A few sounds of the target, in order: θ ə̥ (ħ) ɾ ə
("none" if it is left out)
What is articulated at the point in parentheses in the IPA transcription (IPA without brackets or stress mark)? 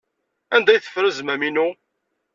f